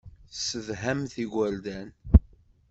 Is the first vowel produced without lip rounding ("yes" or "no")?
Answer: yes